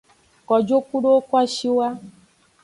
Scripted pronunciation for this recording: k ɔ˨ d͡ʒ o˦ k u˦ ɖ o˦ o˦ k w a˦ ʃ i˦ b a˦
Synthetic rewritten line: k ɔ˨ d͡ʒ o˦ k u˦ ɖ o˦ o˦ k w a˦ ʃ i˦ w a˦